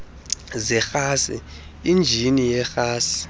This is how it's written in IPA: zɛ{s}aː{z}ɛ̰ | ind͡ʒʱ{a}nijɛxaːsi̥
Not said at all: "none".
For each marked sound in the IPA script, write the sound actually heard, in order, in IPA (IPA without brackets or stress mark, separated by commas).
x, s, i